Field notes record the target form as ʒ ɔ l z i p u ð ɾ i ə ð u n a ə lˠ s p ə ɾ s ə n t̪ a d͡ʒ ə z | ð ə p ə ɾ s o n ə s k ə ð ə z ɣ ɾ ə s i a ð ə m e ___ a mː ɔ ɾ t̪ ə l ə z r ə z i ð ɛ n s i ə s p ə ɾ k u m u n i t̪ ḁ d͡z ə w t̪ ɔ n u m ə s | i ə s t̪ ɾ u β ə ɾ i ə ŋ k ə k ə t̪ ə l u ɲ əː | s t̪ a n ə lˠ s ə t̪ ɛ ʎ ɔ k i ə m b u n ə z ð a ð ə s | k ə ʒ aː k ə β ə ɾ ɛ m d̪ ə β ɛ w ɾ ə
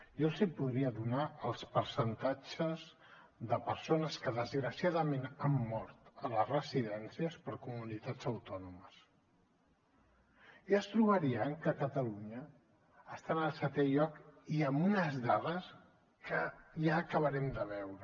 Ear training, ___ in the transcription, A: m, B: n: B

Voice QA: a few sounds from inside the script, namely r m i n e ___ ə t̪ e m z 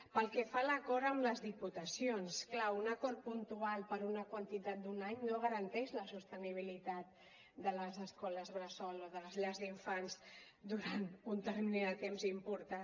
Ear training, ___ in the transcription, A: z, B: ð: B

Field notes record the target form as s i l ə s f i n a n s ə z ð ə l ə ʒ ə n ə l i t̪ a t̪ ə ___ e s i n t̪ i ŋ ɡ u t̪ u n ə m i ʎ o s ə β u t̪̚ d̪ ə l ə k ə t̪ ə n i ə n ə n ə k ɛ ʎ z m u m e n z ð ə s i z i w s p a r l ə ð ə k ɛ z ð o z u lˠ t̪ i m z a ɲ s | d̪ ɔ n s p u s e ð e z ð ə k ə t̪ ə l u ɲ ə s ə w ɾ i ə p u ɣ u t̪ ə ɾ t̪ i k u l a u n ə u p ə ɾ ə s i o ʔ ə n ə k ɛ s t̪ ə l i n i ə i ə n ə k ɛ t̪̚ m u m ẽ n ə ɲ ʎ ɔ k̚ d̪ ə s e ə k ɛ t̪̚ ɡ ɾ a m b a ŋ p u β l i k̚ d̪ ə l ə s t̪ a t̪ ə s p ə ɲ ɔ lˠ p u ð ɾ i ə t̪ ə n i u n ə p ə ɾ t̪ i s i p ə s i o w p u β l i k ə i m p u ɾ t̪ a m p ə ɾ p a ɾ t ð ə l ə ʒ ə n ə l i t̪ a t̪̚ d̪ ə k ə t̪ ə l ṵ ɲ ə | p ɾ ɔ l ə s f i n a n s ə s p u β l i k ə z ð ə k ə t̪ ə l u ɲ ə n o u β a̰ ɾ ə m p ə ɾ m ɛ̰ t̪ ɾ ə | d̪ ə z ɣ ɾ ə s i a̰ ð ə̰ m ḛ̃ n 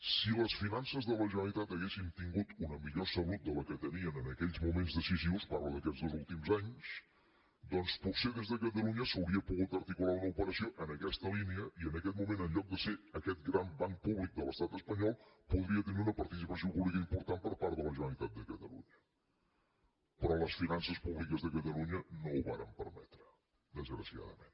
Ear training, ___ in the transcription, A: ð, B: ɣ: B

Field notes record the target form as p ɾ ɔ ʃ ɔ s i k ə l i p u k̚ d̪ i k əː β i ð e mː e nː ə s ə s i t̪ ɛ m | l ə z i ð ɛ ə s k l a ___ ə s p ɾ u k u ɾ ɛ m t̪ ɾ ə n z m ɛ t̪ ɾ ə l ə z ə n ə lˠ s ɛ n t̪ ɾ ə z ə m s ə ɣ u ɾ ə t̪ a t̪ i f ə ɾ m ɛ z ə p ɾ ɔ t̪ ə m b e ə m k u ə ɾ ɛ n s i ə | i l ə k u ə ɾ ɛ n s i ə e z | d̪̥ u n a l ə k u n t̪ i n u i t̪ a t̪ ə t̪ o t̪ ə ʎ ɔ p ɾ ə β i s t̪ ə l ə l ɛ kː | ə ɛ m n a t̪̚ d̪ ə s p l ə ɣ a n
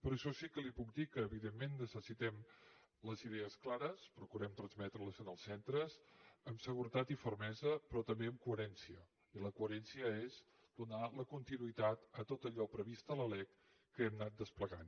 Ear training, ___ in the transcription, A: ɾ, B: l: A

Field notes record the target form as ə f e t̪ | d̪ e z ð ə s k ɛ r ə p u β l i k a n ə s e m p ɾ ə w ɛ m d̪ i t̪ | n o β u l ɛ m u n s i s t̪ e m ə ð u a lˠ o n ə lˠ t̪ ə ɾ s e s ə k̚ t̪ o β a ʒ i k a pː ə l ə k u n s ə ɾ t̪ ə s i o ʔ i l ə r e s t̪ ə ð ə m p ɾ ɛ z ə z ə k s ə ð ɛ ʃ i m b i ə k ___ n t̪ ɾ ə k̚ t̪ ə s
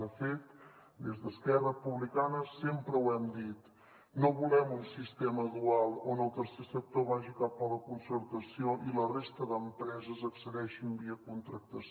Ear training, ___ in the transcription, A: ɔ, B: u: B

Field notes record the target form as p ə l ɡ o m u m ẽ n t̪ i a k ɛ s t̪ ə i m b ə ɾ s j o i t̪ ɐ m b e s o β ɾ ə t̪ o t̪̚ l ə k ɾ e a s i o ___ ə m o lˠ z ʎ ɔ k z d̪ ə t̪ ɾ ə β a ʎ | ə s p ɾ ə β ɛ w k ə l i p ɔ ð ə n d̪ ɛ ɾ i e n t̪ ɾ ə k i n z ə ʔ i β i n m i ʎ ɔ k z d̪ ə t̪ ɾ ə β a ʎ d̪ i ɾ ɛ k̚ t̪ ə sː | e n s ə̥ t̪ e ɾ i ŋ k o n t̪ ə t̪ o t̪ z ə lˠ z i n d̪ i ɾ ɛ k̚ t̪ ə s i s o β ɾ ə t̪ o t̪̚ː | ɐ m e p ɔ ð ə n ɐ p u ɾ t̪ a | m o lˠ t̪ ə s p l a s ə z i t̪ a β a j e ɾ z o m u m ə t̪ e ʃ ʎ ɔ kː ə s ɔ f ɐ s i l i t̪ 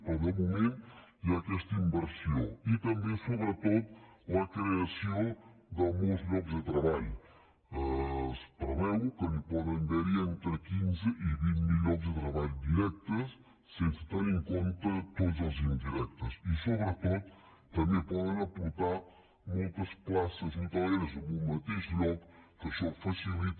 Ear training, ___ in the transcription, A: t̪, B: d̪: B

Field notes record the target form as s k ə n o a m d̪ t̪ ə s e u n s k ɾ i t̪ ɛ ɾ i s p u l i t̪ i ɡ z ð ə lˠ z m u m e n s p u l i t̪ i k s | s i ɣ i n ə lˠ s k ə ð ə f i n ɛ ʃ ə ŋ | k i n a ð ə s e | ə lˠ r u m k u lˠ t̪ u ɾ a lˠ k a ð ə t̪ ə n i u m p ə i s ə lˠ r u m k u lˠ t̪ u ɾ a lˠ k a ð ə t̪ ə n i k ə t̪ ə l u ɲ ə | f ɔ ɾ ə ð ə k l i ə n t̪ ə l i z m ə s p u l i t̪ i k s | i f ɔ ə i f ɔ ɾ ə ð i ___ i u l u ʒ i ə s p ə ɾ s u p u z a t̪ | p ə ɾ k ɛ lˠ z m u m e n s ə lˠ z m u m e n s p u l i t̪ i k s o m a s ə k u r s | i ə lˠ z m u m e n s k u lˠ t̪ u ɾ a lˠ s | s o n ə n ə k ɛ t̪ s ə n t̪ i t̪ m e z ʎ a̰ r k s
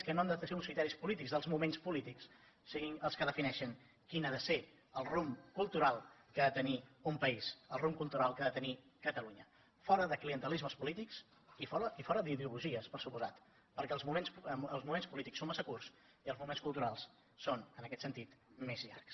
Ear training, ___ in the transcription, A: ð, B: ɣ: A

